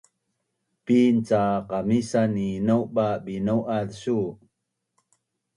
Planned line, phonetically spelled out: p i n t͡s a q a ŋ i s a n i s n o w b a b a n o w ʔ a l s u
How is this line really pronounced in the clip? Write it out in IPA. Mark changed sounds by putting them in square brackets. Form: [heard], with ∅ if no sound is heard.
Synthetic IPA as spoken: p i n t͡s a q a [m] i s a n i [∅] n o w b a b [i] n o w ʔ a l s u